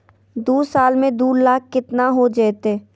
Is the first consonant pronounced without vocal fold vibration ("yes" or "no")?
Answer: no